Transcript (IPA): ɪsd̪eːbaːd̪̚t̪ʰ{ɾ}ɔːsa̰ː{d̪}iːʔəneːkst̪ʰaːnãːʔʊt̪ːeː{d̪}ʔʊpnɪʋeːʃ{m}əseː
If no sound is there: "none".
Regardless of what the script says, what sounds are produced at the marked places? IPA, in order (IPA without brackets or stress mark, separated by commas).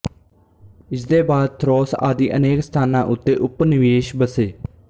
ɾ, d̪, none, b